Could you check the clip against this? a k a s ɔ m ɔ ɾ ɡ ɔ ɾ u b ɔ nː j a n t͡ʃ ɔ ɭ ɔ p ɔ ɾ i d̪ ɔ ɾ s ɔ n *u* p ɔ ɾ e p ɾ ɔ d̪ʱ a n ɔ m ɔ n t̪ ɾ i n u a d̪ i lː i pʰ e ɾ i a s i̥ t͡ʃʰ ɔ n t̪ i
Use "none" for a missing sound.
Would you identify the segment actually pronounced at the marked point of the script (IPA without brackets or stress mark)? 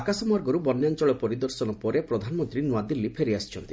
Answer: ɔ